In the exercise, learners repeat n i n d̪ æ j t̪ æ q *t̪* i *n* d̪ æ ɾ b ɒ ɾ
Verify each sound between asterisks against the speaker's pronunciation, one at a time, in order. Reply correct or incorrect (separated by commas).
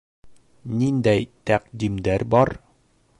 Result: incorrect, incorrect